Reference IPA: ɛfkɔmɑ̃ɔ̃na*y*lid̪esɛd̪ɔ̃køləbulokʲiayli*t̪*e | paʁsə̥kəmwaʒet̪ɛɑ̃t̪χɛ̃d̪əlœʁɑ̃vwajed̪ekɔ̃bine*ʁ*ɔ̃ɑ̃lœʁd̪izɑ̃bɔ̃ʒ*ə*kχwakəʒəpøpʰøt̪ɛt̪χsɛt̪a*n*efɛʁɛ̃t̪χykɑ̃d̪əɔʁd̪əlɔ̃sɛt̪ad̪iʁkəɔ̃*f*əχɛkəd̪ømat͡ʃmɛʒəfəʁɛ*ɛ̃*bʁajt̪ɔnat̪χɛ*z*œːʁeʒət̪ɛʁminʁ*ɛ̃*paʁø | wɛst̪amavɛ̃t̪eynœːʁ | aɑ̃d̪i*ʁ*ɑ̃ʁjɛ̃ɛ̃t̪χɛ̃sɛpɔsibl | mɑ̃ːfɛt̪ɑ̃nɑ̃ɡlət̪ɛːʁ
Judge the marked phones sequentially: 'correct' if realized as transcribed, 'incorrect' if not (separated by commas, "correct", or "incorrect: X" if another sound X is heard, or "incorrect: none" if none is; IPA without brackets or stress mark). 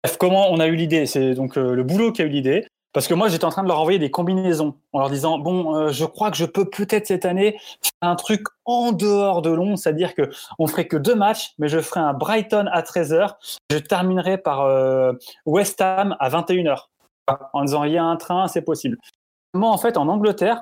correct, incorrect: d̪, incorrect: z, correct, correct, correct, correct, correct, incorrect: ɛ, incorrect: z